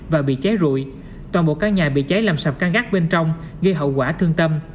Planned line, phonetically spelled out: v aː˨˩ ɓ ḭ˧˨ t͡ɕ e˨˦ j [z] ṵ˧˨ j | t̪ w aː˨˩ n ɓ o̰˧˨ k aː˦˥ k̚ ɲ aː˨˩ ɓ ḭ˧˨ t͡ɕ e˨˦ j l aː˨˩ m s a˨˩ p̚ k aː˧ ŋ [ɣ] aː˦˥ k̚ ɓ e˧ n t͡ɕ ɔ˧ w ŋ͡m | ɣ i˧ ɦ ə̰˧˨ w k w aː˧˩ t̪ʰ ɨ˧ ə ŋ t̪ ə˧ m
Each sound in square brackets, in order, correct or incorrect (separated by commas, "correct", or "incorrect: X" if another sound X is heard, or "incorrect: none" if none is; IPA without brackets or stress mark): correct, correct